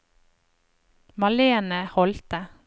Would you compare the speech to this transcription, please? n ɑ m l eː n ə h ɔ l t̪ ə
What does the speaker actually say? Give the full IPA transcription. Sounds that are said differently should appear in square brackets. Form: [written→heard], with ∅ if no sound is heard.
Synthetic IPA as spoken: [n→m] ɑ [m→∅] l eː n ə h ɔ l t̪ ə